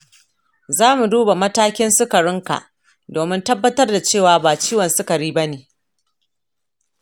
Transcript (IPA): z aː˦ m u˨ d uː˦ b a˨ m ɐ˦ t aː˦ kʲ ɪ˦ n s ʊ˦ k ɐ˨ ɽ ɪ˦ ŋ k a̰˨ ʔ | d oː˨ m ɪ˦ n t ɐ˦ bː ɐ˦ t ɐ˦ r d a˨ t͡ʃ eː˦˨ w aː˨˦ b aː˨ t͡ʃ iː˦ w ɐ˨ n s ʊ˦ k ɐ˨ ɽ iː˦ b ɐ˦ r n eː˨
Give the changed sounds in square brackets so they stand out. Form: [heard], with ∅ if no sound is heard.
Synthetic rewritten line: z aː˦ m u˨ d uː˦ b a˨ m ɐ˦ t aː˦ kʲ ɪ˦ n s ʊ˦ k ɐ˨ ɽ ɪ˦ ŋ k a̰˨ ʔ | d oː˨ m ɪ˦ n t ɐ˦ bː ɐ˦ t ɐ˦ r d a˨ t͡ʃ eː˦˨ w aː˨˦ b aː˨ t͡ʃ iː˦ w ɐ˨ n s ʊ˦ k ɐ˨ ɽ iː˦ b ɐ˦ [∅] n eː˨

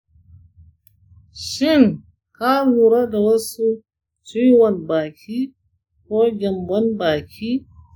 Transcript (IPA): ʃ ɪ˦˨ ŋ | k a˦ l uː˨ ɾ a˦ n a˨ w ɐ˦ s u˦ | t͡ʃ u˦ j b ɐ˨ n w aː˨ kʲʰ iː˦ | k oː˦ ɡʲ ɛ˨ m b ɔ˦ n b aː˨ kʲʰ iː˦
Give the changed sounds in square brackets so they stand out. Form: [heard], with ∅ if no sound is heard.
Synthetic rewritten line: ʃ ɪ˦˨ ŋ | k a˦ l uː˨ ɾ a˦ [d] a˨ w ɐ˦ s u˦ | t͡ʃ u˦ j [w] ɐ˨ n [b] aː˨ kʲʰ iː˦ | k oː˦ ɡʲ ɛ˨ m b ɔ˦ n b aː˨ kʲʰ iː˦

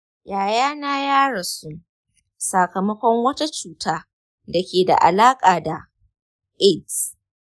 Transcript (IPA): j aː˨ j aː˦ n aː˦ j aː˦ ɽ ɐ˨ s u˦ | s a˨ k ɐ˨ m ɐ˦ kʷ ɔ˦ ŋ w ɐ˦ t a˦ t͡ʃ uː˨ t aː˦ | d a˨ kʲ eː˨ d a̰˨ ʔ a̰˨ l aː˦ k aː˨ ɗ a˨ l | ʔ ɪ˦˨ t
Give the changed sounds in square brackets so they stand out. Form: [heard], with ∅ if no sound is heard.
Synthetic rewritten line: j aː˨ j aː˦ n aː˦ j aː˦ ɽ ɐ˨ s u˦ | s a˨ k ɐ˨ m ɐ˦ kʷ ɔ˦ ŋ w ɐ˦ t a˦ t͡ʃ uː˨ t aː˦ | d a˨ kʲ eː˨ d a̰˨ ʔ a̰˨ l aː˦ [kʼ] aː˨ [d] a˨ [∅] | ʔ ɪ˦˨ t

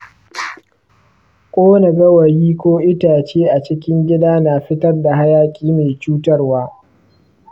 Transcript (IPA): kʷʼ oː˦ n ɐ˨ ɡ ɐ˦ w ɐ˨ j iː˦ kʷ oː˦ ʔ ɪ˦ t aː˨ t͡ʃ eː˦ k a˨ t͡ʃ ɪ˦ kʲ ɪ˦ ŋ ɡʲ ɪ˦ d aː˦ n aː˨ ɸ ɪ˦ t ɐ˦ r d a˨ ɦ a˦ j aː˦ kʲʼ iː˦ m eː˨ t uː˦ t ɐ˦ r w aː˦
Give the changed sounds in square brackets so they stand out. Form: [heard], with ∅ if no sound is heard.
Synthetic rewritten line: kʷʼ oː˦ n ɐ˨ ɡ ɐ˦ w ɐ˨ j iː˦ kʷ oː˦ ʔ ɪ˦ t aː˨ t͡ʃ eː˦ [ʔ] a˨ t͡ʃ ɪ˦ kʲ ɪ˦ ŋ ɡʲ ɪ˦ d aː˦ n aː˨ ɸ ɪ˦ t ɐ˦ r d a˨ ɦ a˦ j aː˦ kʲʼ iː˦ m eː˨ [t͡ʃ] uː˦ t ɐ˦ r w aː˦

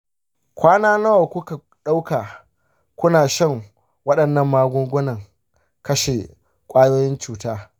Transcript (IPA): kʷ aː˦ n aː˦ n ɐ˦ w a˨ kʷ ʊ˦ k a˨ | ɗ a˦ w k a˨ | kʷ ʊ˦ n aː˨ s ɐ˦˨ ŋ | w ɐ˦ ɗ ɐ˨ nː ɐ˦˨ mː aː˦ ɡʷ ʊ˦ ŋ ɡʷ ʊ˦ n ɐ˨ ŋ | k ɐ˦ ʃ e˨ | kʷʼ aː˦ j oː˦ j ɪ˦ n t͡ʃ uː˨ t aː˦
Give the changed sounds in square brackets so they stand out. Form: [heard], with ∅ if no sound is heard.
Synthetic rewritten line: kʷ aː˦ n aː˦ n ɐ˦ w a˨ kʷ ʊ˦ k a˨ | ɗ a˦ w k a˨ | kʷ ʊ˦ n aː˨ [ʃ] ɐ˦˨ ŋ | w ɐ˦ ɗ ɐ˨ nː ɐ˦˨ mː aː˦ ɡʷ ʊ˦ ŋ ɡʷ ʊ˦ n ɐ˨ ŋ | k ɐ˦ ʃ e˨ | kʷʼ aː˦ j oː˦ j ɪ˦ n t͡ʃ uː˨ t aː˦

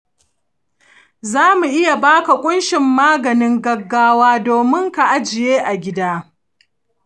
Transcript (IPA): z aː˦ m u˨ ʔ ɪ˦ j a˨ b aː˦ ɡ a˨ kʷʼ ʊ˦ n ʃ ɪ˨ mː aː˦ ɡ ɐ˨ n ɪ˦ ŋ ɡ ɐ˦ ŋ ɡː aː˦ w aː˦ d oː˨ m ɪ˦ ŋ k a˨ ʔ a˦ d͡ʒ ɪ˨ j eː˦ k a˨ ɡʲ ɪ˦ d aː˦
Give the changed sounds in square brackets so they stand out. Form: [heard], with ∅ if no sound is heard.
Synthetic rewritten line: z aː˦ m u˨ ʔ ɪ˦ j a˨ b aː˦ [k] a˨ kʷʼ ʊ˦ n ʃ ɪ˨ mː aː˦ ɡ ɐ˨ n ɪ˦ ŋ ɡ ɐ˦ [∅] ɡː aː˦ w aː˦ d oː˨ m ɪ˦ ŋ k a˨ ʔ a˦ d͡ʒ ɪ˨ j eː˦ [ʔ] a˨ ɡʲ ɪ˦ d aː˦

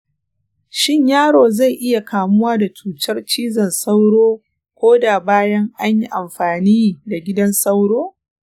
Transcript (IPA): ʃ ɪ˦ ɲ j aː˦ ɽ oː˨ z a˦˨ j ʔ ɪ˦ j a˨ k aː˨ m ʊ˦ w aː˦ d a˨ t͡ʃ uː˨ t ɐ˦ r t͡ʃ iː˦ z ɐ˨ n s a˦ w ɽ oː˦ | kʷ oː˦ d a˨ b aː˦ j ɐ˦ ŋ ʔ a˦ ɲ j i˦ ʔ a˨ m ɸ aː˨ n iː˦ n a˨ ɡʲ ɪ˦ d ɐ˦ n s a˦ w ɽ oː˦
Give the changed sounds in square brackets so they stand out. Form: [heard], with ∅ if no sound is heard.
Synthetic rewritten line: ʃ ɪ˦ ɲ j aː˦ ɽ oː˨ z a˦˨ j ʔ ɪ˦ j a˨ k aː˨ m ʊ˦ w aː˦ d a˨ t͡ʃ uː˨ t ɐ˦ r t͡ʃ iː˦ z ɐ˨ n s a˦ w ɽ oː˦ | kʷ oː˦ d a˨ b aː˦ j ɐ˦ ŋ ʔ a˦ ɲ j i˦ ʔ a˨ m ɸ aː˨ n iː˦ [d] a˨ ɡʲ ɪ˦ d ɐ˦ n s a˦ w ɽ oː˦

